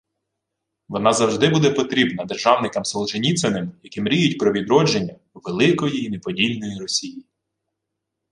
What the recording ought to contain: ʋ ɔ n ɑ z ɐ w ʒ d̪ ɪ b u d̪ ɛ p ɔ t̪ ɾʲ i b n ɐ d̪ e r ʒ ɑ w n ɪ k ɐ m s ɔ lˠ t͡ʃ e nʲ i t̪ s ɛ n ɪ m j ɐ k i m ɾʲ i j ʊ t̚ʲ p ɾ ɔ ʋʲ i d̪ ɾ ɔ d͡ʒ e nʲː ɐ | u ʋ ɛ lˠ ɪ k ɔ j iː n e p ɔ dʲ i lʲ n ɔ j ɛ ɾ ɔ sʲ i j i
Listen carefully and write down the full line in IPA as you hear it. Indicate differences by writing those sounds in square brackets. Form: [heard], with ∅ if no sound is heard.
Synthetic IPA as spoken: ʋ ɔ n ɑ z ɐ w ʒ d̪ ɪ b u d̪ ɛ p ɔ t̪ ɾʲ i b n ɐ d̪ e r ʒ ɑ w n ɪ k ɐ m s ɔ lˠ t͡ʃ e nʲ i t̪ s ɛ n ɪ m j ɐ k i m ɾʲ i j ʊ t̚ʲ p ɾ ɔ ʋʲ i d̪ ɾ ɔ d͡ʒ e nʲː ɐ | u ʋ [e] lˠ ɪ k ɔ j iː n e p ɔ dʲ i lʲ n ɔ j [i] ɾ ɔ sʲ i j i